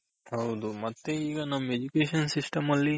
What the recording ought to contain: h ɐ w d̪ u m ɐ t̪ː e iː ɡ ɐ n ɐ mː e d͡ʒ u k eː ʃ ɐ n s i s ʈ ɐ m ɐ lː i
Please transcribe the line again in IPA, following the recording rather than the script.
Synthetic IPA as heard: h ɐ w d̪ u m ɐ t̪ː e iː ɡ ɐ n ɐ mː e d͡ʒ u k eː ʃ ɐ n s i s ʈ ɐ m ɐ lː i

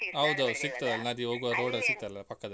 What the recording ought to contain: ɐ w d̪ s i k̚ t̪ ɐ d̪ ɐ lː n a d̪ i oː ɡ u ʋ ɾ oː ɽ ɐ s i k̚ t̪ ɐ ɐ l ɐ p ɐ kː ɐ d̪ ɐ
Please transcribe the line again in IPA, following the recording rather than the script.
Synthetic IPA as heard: ɐ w d̪ s i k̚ t̪ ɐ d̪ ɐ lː n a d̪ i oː ɡ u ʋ ɾ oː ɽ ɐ s i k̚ t̪ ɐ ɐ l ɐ p ɐ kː ɐ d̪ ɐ

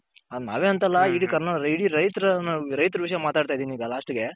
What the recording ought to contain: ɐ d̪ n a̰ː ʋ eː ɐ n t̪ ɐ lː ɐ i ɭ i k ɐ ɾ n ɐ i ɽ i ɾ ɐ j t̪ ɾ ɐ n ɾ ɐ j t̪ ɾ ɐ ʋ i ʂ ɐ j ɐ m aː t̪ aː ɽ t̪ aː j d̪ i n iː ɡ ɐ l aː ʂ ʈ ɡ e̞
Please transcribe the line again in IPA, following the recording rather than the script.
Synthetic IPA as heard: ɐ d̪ n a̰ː ʋ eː ɐ n t̪ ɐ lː ɐ i ɽ i k ɐ ɾ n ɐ i ɽ i ɾ ɐ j t̪ ɾ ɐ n ɾ ɐ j t̪ ɾ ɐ ʋ i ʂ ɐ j ɐ m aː t̪ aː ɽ t̪ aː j d̪ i n iː ɡ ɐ l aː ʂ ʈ ɡ e̞

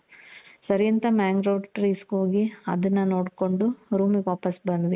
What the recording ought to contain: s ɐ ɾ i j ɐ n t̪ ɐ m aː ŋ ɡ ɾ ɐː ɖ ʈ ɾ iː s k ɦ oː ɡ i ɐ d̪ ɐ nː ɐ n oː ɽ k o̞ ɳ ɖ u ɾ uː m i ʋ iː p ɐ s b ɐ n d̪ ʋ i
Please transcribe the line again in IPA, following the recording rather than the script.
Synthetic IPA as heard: s ɐ ɾ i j ɐ n t̪ ɐ m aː ŋ ɡ ɾ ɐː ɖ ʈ ɾ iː s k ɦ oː ɡ i ɐ d̪ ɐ nː ɐ n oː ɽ k o̞ ɳ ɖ u ɾ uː m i ʋ aː p ɐ s b ɐ n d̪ ʋ i

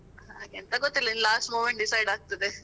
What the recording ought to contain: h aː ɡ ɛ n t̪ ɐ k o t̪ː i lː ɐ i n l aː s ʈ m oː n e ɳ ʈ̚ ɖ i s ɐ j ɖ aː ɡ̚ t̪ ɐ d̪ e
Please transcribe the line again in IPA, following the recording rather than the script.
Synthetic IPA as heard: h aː ɡ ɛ n t̪ ɐ ɡ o t̪ː i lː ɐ i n l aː s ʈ m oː m e ɳ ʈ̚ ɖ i s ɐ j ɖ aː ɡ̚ t̪ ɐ d̪ e

